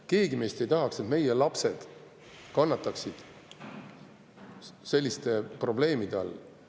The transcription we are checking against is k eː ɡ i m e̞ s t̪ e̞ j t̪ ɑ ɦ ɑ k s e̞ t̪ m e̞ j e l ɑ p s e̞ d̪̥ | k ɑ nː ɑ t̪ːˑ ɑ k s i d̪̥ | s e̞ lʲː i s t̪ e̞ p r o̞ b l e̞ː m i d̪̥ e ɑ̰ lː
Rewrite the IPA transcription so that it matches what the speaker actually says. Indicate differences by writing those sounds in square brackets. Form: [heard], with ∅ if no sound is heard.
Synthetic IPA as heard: k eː ɡ i m e̞ s t̪ e̞ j t̪ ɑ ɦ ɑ k s e̞ t̪ m e̞ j e l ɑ p s e̞ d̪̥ | k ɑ nː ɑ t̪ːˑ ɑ k s i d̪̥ | s e̞ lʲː i s t̪ e̞ p r o̞ b l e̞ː m i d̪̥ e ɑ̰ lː